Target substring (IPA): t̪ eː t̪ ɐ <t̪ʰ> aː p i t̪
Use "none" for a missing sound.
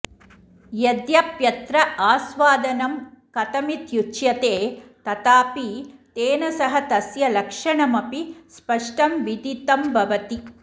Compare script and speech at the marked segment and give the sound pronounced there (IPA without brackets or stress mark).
t̪